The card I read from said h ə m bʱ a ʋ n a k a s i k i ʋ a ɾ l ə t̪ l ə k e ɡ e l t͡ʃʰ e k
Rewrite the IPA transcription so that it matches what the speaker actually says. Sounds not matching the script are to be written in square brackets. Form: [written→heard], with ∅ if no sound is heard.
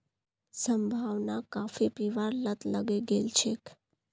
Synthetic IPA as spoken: [h→s] ə m bʱ a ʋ n a k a [s→f] i [k→p] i ʋ a ɾ l ə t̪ l ə [k→ɡ] e ɡ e l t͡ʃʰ e k